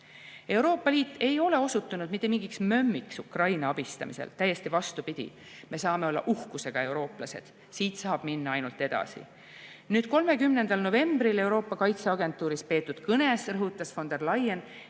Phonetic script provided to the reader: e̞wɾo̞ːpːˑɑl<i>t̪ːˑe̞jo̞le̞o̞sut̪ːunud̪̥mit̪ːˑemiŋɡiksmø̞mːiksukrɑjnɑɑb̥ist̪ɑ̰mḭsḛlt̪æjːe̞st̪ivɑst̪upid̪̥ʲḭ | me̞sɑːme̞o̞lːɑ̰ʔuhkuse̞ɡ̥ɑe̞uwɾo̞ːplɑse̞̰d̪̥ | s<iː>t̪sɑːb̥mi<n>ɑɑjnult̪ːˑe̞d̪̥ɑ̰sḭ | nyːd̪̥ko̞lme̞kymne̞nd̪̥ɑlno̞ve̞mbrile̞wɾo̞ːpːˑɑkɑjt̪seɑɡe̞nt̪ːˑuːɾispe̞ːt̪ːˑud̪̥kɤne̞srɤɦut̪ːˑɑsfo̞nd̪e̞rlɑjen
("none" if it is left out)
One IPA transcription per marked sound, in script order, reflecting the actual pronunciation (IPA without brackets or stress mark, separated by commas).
iː, iː, nː